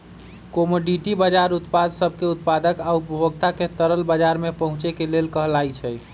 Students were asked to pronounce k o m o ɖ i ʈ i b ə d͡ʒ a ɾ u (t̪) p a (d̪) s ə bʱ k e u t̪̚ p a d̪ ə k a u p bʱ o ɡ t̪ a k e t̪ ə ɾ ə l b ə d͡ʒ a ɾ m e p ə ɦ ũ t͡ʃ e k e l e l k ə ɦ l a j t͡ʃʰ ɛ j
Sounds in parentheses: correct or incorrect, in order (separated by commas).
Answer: correct, correct